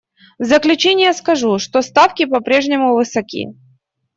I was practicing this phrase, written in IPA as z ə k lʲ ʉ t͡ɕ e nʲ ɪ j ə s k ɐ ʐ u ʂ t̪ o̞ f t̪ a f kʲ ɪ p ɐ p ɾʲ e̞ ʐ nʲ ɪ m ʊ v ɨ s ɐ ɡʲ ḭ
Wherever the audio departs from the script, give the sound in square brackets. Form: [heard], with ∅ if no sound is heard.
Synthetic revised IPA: z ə k lʲ ʉ t͡ɕ e nʲ ɪ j ə s k ɐ ʐ u ʂ t̪ o̞ [s] t̪ a f kʲ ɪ p ɐ p ɾʲ e̞ ʐ nʲ ɪ m ʊ v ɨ s ɐ [kʲ] ḭ